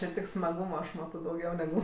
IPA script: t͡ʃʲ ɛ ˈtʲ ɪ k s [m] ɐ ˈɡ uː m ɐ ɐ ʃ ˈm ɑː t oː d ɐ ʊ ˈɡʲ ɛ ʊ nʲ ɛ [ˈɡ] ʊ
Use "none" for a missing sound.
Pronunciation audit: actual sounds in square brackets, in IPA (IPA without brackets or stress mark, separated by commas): m, ɡ